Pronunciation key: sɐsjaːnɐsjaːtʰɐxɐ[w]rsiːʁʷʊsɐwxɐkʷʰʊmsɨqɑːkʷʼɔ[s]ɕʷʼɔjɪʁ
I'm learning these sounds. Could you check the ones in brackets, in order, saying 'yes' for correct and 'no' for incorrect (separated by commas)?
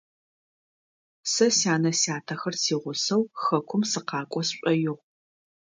no, yes